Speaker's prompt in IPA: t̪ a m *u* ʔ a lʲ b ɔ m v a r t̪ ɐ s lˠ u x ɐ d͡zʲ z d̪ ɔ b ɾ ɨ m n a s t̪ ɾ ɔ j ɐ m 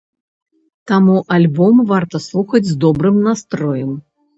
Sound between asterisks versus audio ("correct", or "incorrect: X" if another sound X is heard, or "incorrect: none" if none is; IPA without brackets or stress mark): correct